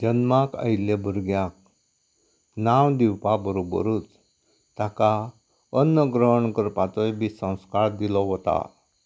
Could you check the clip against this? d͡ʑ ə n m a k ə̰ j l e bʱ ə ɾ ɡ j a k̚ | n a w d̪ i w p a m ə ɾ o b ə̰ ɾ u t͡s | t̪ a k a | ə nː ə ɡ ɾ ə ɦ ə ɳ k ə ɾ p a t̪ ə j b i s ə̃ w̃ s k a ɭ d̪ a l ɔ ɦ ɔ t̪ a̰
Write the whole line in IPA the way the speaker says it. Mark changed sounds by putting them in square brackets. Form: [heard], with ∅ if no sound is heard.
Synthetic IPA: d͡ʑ ə n m a k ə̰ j l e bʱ ə ɾ ɡ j a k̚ | n a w d̪ i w p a [b] ə ɾ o b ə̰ ɾ u t͡s | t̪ a k a | ə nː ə ɡ ɾ ə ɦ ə ɳ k ə ɾ p a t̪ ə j b i s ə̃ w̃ s k a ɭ d̪ [i] l ɔ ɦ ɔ t̪ a̰